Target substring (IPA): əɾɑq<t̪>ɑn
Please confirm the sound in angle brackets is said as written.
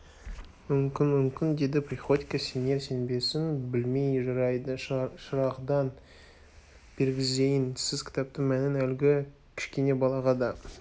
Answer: no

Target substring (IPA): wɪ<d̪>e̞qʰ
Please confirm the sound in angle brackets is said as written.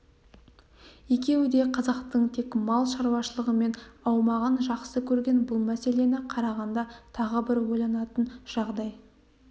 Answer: yes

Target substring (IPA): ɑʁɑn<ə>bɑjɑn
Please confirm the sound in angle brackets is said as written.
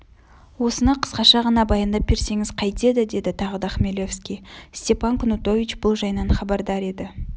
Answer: no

